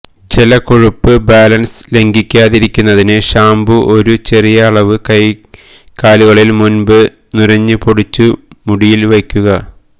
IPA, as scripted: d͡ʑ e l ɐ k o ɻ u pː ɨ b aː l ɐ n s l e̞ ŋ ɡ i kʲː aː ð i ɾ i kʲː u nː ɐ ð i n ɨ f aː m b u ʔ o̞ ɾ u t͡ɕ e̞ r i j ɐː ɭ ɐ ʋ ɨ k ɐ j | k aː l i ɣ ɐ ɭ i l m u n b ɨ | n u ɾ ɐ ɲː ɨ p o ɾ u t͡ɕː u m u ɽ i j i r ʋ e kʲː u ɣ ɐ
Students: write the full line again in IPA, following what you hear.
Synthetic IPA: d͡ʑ e l ɐ k o ɻ u pː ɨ b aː l ɐ n s l e̞ ŋ ɡ i kʲː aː ð i ɾ i kʲː u nː ɐ ð i n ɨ ɕ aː m b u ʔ o̞ ɾ u t͡ɕ e̞ r i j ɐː ɭ ɐ ʋ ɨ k ɐ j | k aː l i ɣ ɐ ɭ i l m u n b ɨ | n u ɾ ɐ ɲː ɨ p o ɽ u t͡ɕː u m u ɽ i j i l ʋ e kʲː u ɣ ɐ